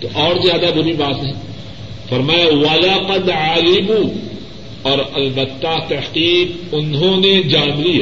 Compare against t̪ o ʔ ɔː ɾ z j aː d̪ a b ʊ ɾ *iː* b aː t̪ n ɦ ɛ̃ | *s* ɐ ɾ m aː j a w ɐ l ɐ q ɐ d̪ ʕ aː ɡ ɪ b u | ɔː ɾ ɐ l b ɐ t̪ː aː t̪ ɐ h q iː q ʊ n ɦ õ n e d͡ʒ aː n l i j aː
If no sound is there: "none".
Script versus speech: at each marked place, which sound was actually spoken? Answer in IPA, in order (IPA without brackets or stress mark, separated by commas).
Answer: i, f